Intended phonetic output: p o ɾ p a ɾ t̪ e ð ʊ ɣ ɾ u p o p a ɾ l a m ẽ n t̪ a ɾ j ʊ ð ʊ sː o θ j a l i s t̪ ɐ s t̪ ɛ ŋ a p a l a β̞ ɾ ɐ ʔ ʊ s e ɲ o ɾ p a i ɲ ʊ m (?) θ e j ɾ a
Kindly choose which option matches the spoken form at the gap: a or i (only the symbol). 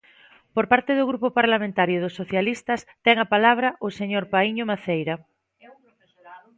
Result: a